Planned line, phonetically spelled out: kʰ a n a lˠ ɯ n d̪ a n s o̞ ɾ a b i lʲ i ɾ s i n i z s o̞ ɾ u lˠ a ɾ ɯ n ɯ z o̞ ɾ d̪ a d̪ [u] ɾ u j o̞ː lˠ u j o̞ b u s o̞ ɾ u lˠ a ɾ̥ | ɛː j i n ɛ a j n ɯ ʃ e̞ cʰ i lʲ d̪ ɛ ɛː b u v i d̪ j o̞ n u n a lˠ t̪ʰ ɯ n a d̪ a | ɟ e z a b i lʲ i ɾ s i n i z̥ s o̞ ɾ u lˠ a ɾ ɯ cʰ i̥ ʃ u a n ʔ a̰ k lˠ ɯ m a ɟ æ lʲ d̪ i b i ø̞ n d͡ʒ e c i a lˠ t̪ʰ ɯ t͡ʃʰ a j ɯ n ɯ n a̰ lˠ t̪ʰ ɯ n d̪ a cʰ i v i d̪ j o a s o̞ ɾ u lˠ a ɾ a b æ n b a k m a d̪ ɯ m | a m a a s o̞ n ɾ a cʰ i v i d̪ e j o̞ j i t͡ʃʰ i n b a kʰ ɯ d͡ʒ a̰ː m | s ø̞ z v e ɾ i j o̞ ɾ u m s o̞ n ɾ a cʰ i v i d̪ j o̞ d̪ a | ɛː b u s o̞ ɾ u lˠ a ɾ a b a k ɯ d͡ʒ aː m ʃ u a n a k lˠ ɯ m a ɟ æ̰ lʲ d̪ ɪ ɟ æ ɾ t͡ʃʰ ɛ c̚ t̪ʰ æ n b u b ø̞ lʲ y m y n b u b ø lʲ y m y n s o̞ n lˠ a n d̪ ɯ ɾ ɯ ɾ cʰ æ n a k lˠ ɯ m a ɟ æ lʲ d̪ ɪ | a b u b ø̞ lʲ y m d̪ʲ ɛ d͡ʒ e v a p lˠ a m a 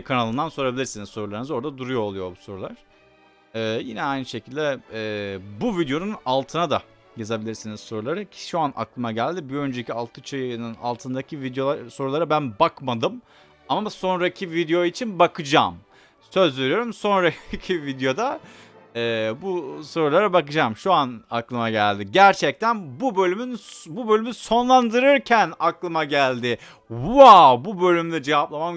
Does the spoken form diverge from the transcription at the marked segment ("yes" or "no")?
no